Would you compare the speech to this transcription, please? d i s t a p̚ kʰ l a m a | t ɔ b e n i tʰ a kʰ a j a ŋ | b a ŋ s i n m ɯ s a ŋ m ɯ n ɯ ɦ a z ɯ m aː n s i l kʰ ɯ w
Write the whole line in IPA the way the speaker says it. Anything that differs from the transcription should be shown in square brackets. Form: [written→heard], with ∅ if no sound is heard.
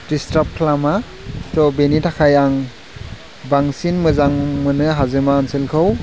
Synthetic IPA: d i s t a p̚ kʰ l a m a | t ɔ b e n i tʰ a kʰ a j a ŋ | b a ŋ s i n m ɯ [s→z] a ŋ m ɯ n ɯ ɦ a z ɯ m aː n s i l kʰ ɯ w